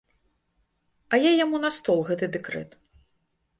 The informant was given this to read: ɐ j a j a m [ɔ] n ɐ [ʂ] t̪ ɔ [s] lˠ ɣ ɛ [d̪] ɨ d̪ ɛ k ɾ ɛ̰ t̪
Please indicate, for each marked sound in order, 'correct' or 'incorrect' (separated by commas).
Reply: incorrect, incorrect, incorrect, incorrect